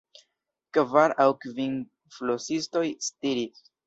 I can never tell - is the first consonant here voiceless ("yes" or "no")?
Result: yes